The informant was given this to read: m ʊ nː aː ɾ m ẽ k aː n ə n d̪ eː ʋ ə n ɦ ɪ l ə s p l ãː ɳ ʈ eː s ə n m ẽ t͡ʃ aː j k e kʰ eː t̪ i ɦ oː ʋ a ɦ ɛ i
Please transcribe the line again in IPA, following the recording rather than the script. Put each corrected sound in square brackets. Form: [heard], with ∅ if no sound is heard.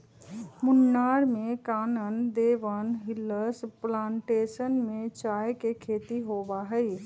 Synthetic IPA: m ʊ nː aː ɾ m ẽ k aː n ə n d̪ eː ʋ ə n ɦ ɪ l ə s p l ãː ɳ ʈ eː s ə n m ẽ t͡ʃ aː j k e kʰ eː t̪ i ɦ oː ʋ a ɦ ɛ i